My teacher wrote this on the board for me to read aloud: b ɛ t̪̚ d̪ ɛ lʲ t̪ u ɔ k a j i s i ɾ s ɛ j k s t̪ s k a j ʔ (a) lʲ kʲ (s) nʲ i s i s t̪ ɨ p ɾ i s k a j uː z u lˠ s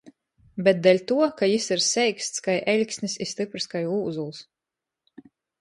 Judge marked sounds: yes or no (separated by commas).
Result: no, yes